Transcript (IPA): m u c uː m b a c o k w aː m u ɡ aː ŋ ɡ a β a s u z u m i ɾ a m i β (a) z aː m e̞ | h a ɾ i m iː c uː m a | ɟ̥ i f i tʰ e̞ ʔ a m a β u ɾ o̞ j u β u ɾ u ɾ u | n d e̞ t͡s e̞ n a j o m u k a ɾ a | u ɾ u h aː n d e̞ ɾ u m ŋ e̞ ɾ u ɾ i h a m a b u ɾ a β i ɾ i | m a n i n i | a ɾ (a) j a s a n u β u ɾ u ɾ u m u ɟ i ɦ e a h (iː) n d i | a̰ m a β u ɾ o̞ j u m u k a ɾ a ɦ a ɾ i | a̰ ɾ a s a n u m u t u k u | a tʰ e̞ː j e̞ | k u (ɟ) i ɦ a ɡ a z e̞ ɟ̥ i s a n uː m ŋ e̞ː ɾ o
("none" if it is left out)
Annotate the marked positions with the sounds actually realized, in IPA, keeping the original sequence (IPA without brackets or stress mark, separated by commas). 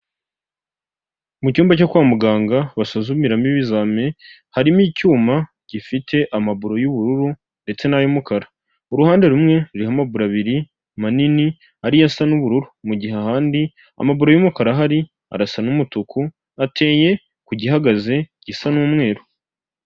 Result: i, i, aː, ɟ